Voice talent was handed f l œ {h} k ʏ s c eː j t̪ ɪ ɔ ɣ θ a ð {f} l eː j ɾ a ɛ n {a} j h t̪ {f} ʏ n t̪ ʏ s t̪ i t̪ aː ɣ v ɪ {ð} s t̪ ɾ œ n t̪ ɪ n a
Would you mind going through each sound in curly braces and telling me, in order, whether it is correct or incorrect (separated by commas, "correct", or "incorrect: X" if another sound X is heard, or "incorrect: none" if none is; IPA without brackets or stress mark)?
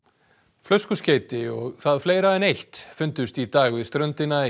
incorrect: s, correct, incorrect: e, correct, correct